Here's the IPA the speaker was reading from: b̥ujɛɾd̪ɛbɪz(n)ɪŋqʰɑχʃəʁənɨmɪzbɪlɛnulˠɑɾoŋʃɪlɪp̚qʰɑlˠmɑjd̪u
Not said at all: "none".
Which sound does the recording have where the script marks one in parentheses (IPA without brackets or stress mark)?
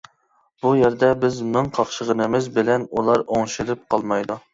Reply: m